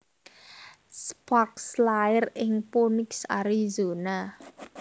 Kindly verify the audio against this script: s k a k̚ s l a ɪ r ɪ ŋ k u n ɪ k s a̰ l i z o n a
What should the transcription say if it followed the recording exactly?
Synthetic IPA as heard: s p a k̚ s l a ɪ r ɪ ŋ p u n ɪ k s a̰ ɾ i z o n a